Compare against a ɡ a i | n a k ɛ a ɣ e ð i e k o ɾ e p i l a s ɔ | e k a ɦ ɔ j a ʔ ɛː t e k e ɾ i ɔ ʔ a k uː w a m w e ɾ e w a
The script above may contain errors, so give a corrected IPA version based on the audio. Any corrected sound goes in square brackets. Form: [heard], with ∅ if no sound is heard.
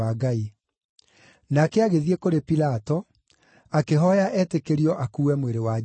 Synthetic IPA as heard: a ɡ a i | n a k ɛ a ɣ e ð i e k o ɾ e p i l a [t] ɔ | [a] k [e] ɦ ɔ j a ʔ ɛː t e k e ɾ i ɔ ʔ a k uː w [ɛ] m w e ɾ e w a